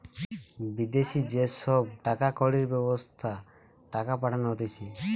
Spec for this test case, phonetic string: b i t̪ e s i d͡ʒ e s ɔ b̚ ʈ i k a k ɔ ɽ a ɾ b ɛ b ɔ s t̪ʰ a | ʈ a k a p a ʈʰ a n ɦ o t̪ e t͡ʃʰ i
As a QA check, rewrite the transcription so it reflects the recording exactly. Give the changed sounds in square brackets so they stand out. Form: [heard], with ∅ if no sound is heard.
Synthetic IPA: b i [d̪] e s i d͡ʒ e s ɔ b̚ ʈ [a] k a k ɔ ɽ [i] ɾ b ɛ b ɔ s t̪ʰ a | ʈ a k a p a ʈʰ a n ɦ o t̪ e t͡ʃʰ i